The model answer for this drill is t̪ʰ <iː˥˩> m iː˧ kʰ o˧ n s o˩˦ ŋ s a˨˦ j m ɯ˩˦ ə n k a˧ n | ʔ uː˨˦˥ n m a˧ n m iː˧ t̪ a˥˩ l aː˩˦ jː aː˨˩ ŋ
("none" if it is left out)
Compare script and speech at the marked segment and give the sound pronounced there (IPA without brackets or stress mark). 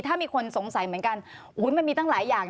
aː˥˩